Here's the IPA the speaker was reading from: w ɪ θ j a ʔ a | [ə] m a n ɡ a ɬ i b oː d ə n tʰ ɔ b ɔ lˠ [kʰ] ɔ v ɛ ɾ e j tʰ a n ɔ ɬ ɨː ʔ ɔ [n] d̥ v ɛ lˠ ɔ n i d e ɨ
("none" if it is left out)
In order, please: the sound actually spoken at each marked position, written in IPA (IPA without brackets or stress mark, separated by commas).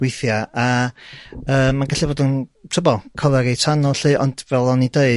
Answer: əː, kʰ, n